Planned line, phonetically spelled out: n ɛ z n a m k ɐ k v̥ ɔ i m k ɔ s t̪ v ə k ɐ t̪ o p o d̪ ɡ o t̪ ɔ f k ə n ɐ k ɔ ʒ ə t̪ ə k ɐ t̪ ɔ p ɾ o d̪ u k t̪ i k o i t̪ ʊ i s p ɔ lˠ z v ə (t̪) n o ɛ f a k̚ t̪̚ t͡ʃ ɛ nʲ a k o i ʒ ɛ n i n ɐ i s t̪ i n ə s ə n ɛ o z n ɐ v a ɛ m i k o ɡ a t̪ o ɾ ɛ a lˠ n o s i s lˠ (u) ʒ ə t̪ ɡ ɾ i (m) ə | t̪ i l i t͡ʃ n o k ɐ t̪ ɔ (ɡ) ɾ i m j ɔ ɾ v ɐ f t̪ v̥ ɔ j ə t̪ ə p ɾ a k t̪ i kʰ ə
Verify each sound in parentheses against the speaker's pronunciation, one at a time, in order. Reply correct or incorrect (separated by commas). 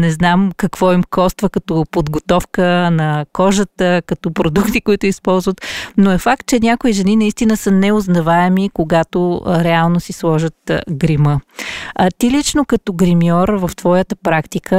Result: correct, incorrect, correct, correct